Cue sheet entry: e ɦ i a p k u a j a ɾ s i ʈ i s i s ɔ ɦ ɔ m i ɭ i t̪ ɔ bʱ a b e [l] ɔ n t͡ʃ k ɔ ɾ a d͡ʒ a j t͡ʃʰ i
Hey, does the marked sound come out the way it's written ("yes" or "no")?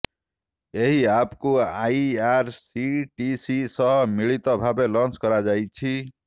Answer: yes